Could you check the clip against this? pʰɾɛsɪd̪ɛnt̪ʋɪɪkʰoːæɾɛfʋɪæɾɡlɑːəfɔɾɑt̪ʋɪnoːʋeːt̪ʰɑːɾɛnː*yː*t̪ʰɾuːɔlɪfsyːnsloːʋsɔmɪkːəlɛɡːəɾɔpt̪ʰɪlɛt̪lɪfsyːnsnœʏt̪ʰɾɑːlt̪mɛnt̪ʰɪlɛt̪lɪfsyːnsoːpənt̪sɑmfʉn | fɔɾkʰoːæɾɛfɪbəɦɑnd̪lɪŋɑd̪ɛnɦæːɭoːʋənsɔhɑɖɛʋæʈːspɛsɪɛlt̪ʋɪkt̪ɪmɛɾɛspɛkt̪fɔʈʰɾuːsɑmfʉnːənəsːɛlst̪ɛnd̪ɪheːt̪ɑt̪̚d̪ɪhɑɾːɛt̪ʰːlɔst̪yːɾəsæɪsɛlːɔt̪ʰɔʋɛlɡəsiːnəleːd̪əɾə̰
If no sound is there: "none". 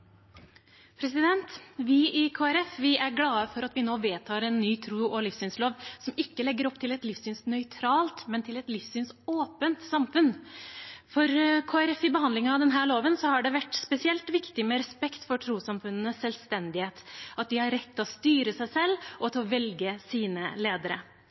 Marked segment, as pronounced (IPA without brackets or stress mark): yː